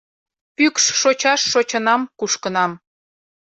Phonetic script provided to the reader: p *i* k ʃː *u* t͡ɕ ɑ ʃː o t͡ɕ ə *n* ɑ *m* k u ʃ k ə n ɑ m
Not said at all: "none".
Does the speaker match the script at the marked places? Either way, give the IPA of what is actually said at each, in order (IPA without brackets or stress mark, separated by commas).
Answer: y, o, n, m